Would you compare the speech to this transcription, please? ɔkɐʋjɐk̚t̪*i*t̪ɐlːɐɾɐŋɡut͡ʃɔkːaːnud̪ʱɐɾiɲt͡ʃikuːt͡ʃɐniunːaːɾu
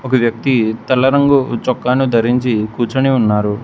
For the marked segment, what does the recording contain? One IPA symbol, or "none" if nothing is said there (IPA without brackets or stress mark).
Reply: i